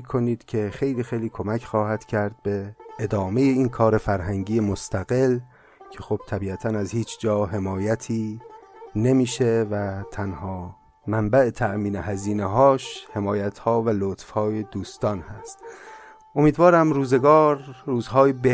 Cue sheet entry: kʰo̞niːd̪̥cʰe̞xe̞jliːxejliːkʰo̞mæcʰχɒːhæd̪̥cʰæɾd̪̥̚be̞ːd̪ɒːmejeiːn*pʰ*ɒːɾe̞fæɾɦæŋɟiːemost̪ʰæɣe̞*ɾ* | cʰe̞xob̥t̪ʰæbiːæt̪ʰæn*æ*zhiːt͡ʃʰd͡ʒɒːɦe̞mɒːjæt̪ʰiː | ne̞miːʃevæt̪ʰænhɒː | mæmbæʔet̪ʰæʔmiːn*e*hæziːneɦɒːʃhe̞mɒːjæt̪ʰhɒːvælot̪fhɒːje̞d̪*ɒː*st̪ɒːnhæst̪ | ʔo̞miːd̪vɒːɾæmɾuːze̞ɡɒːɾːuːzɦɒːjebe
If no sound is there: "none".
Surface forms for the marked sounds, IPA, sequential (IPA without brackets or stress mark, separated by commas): kʰ, l, æ, e, uː